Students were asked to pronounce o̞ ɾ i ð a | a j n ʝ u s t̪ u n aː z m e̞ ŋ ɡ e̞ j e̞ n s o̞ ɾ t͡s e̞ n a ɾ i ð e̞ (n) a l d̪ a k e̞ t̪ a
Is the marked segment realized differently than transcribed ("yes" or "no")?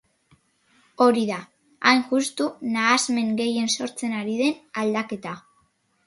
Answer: no